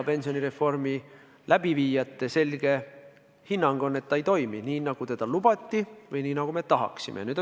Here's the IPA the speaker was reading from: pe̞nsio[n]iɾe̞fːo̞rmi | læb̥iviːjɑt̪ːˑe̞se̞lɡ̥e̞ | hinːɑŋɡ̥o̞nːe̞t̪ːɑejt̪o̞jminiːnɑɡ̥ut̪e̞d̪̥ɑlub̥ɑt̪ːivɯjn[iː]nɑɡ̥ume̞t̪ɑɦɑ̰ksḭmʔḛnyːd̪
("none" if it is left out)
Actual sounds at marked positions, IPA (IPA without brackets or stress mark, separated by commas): n, iː